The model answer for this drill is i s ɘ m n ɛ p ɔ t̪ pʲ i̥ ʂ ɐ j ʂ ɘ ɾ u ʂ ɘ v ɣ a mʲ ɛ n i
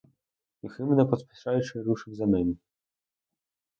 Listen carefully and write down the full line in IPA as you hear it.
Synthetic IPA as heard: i x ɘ m n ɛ p ɔ t̪ pʲ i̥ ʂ a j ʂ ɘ ɾ u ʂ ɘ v z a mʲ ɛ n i